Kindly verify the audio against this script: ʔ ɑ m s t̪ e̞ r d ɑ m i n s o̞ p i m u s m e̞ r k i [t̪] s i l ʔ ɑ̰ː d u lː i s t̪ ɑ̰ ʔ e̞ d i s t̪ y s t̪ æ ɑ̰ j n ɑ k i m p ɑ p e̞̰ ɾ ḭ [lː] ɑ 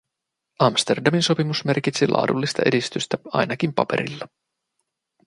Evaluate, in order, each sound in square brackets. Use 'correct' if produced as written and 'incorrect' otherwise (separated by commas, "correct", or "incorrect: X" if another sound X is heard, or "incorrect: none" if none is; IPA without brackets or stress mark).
correct, correct